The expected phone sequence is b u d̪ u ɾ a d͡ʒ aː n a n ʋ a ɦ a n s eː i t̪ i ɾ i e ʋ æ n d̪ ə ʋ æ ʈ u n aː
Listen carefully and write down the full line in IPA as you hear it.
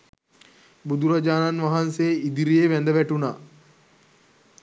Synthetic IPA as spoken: b u d̪ u ɾ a d͡ʒ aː n a n ʋ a ɦ a n s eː i d̪ i ɾ i e ʋ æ n d̪ ə ʋ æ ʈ u n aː